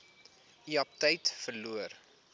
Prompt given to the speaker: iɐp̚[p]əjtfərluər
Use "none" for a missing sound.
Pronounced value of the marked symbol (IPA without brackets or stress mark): t